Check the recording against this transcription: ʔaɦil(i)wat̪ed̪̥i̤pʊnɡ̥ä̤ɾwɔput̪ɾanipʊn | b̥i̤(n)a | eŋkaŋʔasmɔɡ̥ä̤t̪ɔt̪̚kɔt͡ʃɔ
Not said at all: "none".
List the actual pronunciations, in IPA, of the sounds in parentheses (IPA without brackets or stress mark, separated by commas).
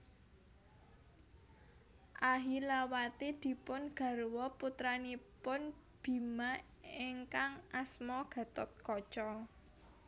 a, m